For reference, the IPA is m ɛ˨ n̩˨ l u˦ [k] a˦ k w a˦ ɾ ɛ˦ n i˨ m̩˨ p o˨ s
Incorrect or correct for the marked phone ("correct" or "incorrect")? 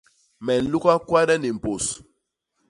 correct